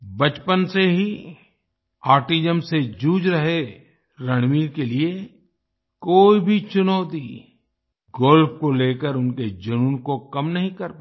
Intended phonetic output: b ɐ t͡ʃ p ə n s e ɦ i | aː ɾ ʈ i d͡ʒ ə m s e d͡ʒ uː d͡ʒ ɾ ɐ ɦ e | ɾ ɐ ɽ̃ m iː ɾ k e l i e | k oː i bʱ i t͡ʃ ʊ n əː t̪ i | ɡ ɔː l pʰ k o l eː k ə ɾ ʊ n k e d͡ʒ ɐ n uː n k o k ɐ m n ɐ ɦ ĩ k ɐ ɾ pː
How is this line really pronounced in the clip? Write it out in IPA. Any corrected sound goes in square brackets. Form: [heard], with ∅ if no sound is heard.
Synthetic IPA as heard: b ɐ t͡ʃ p ə n s e ɦ i | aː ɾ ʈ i d͡ʒ ə m s e d͡ʒ uː d͡ʒ ɾ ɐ ɦ e | ɾ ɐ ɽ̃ m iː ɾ k e l i e | k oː i bʱ i t͡ʃ ʊ n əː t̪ i | ɡ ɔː l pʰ k o l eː k ə ɾ ʊ n k e d͡ʒ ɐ n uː n k o k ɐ m n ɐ ɦ ĩ k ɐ ɾ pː

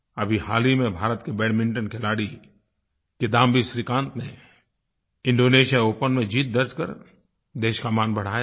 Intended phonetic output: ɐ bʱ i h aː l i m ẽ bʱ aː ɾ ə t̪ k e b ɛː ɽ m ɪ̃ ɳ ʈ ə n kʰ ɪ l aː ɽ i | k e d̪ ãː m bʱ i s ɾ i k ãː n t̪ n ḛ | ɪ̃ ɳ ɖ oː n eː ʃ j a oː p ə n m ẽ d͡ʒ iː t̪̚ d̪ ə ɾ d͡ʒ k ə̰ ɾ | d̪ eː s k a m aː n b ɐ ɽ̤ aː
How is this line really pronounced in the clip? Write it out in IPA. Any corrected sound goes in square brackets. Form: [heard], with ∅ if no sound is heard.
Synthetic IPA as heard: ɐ bʱ i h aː l i m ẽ bʱ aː ɾ ə t̪ k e b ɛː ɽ m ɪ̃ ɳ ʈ ə n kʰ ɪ l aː ɽ i | k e d̪ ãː m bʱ i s ɾ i k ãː n t̪ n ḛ | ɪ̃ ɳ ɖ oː n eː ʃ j a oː p ə n m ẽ d͡ʒ iː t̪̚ d̪ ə ɾ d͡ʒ k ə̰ ɾ | d̪ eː [ʃ] k a m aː n b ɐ ɽ̤ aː

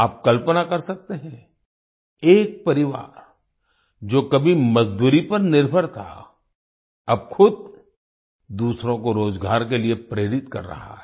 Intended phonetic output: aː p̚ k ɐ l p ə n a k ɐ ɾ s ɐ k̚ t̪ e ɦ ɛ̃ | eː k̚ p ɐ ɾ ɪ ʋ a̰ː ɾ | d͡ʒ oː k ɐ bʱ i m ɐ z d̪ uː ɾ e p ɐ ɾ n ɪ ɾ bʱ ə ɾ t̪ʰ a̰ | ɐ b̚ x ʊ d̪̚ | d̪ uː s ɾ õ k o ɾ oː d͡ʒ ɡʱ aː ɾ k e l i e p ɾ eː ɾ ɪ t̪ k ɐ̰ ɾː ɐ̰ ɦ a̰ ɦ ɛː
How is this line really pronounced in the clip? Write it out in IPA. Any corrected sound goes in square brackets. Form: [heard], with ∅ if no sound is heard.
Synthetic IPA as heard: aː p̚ k ɐ l p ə n a k ɐ ɾ s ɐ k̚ t̪ e ɦ ɛ̃ | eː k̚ p ɐ ɾ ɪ ʋ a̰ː ɾ | d͡ʒ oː k ɐ bʱ i m ɐ z d̪ uː ɾ [i] p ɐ ɾ n ɪ ɾ bʱ ə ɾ t̪ʰ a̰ | ɐ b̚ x ʊ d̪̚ | d̪ uː s ɾ õ k o ɾ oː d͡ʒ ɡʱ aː ɾ k e l i e p ɾ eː ɾ ɪ t̪ k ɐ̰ ɾː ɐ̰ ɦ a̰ ɦ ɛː

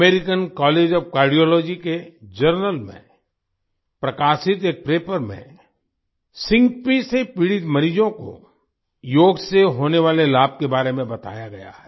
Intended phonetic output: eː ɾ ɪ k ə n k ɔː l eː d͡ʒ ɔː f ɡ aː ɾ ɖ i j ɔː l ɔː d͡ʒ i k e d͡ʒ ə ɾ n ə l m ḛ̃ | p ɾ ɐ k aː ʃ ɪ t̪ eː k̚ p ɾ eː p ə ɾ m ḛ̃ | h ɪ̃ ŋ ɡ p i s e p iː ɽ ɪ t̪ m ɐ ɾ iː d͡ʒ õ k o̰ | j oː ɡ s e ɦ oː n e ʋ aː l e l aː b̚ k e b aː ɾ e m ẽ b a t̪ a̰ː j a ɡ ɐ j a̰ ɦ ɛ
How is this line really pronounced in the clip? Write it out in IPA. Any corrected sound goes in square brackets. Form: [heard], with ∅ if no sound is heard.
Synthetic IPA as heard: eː ɾ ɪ k ə n k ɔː l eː d͡ʒ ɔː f [k] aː ɾ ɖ i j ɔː l ɔː d͡ʒ i k e d͡ʒ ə ɾ n ə l m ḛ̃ | p ɾ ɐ k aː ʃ ɪ t̪ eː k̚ p ɾ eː p ə ɾ m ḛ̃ | [s] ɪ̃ ŋ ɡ p i s e p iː ɽ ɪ t̪ m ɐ ɾ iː d͡ʒ õ k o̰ | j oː ɡ s e ɦ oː n e ʋ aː l e l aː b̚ k e b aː ɾ e m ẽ b [ɐ] t̪ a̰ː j a ɡ ɐ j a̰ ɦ ɛ

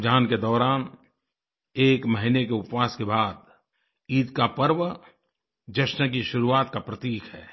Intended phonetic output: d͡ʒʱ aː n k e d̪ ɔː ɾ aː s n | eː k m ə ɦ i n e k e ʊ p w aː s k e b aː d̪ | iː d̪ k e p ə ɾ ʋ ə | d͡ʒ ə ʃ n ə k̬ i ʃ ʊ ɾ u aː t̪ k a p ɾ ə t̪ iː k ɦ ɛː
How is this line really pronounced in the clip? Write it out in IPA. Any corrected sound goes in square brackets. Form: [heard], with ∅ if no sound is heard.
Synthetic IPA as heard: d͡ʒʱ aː n k e d̪ ɔː ɾ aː [∅] n | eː k m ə ɦ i n e k e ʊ p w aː s k e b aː d̪ | iː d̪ k [a] p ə ɾ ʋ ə | d͡ʒ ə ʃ n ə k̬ i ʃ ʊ ɾ u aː t̪ k a p ɾ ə t̪ iː k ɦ ɛː

